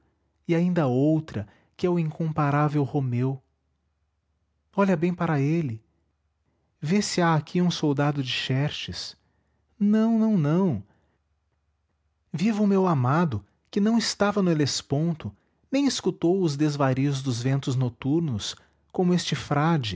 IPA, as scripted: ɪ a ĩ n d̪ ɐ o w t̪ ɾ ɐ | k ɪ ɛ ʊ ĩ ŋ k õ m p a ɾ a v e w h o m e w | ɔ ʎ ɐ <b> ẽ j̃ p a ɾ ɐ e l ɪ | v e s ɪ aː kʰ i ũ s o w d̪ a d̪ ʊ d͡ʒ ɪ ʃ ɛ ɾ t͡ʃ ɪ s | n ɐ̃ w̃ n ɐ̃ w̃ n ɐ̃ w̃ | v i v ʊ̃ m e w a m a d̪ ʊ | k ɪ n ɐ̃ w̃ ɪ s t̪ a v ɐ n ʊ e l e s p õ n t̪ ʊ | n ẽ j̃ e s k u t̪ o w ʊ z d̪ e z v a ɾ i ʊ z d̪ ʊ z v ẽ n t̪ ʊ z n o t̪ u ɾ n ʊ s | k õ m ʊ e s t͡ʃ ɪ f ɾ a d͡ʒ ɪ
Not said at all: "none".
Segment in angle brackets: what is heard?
b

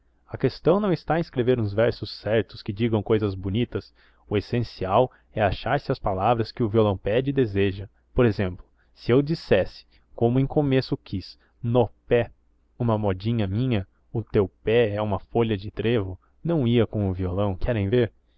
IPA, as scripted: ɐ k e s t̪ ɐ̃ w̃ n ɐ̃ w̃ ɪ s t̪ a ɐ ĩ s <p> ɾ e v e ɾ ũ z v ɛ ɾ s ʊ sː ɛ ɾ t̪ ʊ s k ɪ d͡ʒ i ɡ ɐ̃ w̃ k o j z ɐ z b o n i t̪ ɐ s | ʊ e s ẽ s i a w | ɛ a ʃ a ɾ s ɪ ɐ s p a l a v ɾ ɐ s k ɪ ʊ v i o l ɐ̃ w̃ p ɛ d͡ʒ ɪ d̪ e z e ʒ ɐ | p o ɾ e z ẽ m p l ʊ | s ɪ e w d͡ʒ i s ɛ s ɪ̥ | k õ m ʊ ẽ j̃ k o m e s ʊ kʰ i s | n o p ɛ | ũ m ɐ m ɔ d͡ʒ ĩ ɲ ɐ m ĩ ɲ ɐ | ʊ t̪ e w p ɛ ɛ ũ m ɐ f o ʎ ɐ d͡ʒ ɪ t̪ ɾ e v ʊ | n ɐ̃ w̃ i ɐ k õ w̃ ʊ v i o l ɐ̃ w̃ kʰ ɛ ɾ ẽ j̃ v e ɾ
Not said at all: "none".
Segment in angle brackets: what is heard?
k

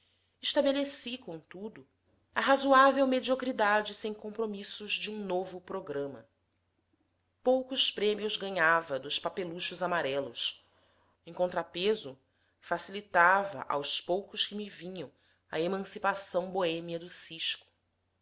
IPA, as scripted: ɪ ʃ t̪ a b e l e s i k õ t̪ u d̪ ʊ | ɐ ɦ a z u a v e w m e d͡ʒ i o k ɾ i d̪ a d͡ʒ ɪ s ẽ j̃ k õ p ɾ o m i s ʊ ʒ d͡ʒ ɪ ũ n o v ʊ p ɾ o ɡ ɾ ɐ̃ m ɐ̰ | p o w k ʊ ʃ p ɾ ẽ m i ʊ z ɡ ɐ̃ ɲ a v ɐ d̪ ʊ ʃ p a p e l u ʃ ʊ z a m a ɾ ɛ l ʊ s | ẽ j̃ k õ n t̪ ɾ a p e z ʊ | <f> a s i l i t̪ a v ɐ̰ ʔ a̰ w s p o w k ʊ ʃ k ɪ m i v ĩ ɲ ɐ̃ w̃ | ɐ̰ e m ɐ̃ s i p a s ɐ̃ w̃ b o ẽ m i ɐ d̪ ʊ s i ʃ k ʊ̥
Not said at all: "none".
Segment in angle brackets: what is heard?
f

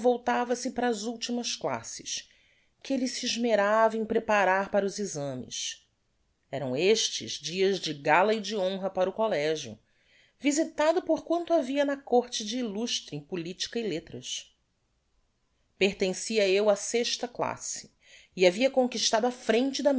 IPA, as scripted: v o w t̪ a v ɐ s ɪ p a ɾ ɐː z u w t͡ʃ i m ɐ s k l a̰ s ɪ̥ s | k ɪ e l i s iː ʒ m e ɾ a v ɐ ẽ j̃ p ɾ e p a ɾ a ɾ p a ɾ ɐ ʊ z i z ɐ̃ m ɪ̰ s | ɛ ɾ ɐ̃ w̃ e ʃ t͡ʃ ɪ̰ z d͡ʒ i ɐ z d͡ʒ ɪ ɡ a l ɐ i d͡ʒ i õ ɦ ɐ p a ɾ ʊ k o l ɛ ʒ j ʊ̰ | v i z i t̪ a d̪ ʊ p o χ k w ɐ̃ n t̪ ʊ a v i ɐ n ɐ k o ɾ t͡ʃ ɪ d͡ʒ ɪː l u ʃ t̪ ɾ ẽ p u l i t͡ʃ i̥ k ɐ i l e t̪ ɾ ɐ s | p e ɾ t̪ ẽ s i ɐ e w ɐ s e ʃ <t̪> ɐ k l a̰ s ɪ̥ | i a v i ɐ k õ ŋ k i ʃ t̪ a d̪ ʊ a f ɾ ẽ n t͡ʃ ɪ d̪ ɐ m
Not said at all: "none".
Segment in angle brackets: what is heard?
t̪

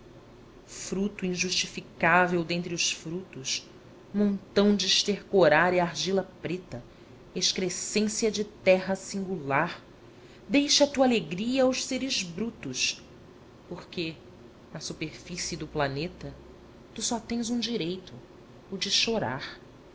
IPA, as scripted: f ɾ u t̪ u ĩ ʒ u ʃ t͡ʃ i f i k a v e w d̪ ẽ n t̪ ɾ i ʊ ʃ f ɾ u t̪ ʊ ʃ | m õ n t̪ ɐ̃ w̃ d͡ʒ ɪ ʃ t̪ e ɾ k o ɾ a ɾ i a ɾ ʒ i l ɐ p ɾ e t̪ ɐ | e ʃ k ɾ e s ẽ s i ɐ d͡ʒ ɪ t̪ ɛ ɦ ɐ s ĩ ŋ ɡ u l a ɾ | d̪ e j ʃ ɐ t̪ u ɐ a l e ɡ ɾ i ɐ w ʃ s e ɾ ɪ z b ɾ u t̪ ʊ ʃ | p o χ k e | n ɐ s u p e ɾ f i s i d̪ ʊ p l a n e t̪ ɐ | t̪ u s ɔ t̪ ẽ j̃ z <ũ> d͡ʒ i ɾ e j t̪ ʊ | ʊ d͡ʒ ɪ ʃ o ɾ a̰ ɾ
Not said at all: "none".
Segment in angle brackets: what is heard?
ũ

